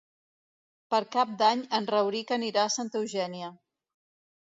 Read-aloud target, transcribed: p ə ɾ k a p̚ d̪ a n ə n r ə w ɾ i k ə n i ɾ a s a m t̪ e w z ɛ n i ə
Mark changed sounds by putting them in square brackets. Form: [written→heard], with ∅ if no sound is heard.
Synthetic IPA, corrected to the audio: p ə ɾ k a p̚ d̪ a [n→ɲ] ə n r ə w ɾ i k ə n i ɾ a s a [m→n] t̪ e w [z→ʒ] ɛ n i ə